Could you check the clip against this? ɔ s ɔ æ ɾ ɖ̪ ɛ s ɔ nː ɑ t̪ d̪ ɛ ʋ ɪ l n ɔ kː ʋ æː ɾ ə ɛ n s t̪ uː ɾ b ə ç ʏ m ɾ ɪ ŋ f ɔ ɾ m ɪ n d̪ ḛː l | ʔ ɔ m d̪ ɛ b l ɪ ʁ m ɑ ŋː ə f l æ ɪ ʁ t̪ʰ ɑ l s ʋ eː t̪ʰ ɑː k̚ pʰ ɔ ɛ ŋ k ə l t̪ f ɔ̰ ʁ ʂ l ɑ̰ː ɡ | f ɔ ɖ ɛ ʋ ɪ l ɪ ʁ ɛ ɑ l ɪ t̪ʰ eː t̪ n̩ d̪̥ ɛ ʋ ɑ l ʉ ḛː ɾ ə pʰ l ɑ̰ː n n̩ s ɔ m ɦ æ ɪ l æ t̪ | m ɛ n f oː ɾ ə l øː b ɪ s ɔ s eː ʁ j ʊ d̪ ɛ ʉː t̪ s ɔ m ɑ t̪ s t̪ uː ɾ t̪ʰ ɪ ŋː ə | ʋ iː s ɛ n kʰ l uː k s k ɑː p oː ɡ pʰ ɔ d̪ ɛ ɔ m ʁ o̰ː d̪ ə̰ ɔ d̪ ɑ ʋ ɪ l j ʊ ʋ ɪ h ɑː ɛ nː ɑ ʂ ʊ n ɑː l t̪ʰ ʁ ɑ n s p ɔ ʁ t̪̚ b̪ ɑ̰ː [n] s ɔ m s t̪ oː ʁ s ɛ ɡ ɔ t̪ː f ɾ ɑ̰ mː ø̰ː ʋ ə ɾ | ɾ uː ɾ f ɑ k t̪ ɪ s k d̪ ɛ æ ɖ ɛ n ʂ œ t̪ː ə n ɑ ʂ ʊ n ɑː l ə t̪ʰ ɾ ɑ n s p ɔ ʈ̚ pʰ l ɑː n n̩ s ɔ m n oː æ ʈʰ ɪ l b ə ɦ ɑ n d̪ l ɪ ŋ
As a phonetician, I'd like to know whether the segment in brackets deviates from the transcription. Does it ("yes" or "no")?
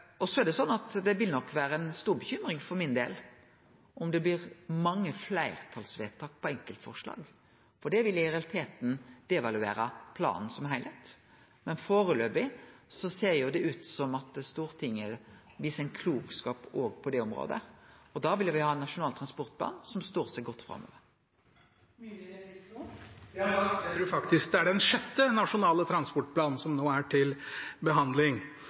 no